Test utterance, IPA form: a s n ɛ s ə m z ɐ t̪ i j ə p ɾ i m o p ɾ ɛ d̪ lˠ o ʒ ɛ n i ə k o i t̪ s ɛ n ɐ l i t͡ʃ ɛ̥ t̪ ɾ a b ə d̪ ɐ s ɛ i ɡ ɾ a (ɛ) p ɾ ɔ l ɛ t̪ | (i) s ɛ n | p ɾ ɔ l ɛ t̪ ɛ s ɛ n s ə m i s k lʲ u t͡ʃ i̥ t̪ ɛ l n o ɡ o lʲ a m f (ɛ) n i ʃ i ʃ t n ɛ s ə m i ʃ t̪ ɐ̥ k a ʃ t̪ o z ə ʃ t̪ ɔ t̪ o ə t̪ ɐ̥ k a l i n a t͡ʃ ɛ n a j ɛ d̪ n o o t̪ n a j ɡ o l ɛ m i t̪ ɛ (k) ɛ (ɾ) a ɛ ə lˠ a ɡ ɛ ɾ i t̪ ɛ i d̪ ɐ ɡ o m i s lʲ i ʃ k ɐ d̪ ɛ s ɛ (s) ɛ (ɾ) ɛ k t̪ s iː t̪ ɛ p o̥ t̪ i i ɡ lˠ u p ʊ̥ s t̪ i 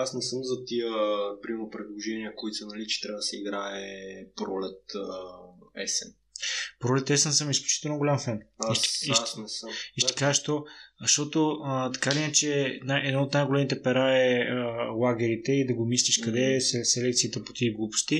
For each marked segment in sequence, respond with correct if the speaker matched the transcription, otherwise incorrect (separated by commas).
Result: correct, incorrect, correct, incorrect, correct, correct, incorrect